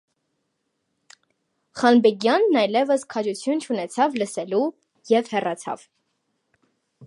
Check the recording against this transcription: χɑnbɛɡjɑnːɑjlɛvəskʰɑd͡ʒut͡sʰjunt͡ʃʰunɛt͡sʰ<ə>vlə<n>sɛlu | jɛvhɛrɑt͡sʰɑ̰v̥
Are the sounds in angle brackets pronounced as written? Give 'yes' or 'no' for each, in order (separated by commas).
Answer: no, no